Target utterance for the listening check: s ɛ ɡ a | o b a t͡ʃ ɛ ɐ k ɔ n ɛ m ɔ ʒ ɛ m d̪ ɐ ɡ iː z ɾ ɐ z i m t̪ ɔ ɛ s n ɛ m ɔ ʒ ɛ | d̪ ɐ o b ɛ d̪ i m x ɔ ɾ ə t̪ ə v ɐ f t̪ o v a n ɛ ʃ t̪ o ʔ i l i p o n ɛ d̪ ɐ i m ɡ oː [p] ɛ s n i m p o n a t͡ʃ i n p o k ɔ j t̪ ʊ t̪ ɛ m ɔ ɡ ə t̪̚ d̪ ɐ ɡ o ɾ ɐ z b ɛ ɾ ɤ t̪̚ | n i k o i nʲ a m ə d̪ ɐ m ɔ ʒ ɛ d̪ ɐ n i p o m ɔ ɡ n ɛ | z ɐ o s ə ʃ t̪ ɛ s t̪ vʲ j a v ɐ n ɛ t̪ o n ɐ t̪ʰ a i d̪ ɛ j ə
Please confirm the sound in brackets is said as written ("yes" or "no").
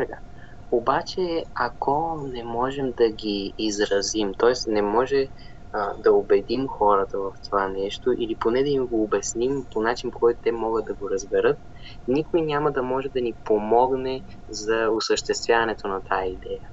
no